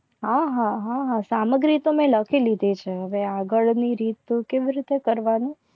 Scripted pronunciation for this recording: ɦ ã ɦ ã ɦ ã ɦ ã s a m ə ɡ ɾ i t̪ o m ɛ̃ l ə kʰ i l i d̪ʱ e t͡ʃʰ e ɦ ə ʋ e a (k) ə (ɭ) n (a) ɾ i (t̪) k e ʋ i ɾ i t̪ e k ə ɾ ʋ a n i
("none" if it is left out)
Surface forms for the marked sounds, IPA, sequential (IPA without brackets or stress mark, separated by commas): ɡ, ɭ, i, t̪